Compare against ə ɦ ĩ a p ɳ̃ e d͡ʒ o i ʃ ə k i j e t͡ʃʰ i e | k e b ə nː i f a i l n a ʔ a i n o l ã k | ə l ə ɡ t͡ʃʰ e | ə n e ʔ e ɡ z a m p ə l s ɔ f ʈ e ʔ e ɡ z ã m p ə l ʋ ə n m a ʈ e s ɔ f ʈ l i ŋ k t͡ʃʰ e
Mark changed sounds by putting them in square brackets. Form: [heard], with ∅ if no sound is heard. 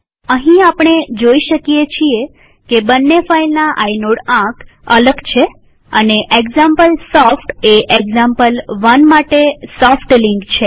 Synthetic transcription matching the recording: ə ɦ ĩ a p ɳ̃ e d͡ʒ o i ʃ ə k i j e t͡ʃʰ i e | k e b ə nː [e] f a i l n a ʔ a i n o [ɽ] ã k | ə l ə ɡ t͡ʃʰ e | ə n e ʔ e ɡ z a m p ə l s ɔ f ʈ e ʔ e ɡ z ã m p ə l ʋ ə n m a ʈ e s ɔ f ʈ l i ŋ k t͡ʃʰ e